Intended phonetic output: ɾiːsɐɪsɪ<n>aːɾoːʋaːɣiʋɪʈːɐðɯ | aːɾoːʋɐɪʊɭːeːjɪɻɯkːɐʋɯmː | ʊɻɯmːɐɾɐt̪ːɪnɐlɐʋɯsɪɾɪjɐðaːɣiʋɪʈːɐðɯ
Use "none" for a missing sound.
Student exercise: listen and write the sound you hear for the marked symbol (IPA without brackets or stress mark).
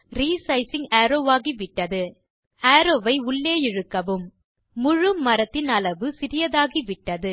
ŋ